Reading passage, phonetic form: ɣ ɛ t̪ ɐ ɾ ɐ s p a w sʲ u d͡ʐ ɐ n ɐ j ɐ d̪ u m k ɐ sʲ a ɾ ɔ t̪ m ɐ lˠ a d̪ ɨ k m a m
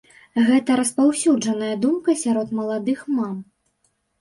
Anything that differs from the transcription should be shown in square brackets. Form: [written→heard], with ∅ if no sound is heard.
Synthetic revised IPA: ɣ ɛ t̪ ɐ ɾ ɐ s p a w sʲ u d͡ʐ ɐ n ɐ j ɐ d̪ u m k ɐ sʲ a ɾ ɔ t̪ m ɐ lˠ a d̪ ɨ [k→x] m a m